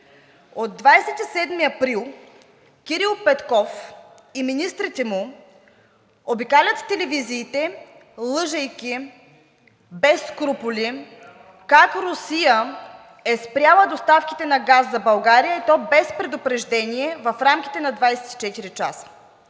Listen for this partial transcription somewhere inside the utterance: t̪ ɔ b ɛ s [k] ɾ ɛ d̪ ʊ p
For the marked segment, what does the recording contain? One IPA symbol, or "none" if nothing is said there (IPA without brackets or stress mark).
p